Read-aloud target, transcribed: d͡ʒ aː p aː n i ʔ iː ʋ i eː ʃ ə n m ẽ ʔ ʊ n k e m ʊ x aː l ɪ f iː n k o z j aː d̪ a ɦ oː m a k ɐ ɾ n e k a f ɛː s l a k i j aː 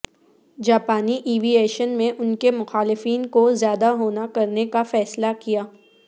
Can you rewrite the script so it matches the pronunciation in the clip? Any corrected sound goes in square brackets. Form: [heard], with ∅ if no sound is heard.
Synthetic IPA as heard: d͡ʒ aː p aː n i ʔ iː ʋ i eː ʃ ə n m ẽ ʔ ʊ n k e m ʊ x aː l ɪ f iː n k o z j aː d̪ a ɦ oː [n] a k ɐ ɾ n e k a f ɛː s l a k i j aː

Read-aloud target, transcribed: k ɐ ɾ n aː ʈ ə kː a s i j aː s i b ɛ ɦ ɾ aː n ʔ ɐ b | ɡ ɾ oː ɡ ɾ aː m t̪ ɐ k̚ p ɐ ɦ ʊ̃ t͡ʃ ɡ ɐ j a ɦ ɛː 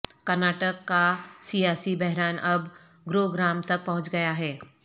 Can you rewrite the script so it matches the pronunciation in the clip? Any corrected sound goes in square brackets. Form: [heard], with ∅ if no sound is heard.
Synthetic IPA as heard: k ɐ ɾ n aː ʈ ə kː a s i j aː s i b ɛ ɦ ɾ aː n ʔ ɐ b | ɡ ɾ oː ɡ ɾ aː m t̪ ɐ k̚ p ɐ ɦ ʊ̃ t͡ʃ ɡ ɐ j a ɦ ɛː

